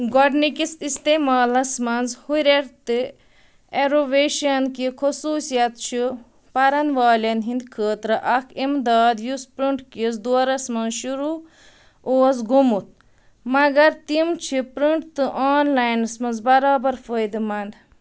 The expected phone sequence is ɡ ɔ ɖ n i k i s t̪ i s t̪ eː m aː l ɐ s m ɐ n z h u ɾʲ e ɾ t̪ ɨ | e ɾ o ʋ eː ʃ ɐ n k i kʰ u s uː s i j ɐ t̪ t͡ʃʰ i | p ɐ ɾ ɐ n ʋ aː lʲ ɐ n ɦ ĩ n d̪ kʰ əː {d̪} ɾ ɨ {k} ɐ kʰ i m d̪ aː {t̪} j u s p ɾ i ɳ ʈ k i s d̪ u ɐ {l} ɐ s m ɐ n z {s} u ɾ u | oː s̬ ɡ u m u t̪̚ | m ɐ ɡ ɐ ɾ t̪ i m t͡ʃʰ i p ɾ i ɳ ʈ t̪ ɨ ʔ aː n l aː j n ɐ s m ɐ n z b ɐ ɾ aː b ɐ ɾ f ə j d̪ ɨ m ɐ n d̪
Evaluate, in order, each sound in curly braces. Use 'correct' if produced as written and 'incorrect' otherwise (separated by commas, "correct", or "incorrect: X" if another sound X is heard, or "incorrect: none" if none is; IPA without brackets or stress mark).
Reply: incorrect: t̪, incorrect: ʔ, incorrect: d̪, incorrect: ɾ, incorrect: ʃ